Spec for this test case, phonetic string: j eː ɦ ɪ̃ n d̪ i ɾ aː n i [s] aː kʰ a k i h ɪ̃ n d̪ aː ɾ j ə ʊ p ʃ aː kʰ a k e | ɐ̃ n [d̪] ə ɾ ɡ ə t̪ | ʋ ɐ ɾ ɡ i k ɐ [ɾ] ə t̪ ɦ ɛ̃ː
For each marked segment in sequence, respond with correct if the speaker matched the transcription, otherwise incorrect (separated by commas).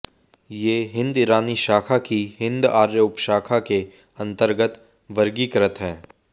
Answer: incorrect, incorrect, correct